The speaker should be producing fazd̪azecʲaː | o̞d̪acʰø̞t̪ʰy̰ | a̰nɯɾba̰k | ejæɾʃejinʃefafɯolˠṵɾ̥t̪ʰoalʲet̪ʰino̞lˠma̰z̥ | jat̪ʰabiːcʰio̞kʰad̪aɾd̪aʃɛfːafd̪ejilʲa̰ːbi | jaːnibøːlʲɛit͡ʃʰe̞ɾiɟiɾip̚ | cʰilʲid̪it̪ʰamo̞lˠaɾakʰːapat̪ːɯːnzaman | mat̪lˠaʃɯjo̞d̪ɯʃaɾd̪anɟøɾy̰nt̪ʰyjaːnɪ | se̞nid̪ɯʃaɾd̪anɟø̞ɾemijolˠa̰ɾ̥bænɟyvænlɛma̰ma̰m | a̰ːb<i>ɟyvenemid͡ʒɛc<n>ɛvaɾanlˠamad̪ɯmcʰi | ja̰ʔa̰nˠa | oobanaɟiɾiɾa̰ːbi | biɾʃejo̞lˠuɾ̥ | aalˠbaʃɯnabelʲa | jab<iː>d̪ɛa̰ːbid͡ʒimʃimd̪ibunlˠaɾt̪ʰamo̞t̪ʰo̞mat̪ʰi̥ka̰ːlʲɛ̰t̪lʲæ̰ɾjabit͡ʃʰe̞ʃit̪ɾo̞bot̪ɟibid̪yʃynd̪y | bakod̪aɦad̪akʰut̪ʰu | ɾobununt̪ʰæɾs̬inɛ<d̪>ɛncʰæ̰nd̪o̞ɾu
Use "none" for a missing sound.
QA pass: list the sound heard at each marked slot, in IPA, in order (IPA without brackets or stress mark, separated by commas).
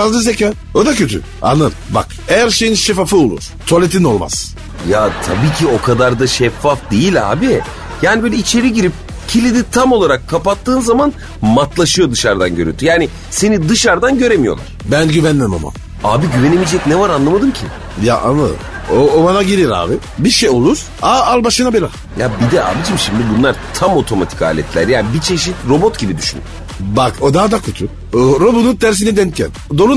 i, n, i, d̪